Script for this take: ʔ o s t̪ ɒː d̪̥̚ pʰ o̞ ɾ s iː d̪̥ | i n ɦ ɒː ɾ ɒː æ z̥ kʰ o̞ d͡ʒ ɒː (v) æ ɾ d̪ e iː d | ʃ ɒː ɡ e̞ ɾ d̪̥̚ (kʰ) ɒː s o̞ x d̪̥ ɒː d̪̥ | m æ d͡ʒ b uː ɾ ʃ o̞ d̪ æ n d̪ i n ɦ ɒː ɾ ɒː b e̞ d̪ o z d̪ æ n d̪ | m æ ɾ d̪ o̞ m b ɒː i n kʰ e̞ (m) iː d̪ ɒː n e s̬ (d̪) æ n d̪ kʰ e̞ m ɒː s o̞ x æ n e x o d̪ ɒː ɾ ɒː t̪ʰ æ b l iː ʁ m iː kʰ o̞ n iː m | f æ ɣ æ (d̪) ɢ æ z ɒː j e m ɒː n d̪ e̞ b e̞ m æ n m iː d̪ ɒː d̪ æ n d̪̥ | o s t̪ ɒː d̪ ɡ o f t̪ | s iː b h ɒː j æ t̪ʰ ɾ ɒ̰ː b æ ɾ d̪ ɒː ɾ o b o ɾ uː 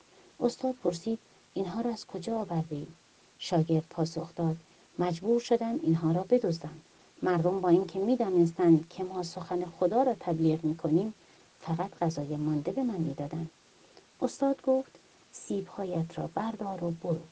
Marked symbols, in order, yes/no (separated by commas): yes, no, yes, no, no